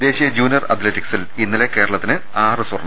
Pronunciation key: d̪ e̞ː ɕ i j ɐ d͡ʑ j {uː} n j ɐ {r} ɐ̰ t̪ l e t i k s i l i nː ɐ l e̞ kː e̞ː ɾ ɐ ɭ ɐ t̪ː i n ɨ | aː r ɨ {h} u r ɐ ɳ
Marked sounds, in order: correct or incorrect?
correct, correct, incorrect: s

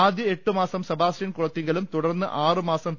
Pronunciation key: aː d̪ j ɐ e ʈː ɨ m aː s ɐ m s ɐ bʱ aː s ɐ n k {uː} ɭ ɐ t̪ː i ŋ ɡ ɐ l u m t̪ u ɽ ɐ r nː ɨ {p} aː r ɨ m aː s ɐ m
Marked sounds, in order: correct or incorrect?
incorrect: u, incorrect: ʔ

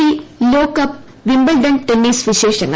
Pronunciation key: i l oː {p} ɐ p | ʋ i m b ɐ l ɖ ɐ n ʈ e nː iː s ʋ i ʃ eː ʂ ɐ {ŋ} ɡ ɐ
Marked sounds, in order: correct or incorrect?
incorrect: k, correct

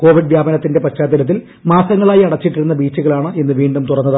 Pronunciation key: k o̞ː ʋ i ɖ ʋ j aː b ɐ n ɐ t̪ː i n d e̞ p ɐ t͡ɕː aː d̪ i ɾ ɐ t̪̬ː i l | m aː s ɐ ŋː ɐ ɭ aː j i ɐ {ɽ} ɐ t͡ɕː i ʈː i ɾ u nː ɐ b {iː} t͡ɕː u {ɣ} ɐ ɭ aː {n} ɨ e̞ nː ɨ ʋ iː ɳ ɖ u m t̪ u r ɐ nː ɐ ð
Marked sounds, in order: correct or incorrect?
correct, correct, correct, incorrect: ɳ

